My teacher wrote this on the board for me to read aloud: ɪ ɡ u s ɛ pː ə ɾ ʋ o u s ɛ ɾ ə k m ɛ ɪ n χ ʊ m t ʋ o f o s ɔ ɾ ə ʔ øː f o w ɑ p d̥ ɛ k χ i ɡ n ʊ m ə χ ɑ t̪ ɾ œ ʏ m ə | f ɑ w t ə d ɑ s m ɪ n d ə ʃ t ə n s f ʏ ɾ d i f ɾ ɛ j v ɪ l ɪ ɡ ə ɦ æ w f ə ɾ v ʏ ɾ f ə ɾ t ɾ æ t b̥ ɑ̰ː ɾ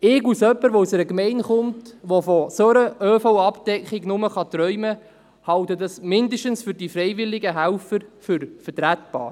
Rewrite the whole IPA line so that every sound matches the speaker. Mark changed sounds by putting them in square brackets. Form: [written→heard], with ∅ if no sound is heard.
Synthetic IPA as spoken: ɪ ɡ u s [ɛ→œ] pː ə ɾ ʋ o u s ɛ ɾ ə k m ɛ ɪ n χ ʊ m t ʋ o f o s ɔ ɾ ə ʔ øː f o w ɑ p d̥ ɛ k χ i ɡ n ʊ m ə χ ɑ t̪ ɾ œ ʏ m ə | [f→h] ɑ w t ə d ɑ s m ɪ n d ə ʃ t ə n s f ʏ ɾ d i f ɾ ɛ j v ɪ l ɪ ɡ ə ɦ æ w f ə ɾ [v→f] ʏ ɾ f ə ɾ t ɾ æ t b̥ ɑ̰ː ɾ